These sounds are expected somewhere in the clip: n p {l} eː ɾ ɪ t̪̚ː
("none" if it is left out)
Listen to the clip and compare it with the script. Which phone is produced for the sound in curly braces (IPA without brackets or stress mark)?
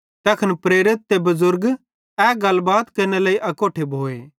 ɾ